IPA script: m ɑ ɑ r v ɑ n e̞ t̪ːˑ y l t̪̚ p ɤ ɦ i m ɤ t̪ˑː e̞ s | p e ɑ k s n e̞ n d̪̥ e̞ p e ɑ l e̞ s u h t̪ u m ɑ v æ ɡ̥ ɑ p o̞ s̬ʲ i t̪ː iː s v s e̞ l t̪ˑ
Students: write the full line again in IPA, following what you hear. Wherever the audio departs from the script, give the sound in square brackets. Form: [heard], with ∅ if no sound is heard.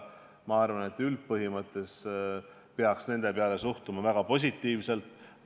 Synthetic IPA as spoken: m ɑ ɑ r v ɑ n e̞ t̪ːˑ y l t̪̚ p ɤ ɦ i m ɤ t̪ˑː e̞ s | p e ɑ k s n e̞ n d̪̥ e̞ p e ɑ l e̞ s u h t̪ u m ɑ v æ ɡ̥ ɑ p o̞ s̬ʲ i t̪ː iː [∅] v s e̞ l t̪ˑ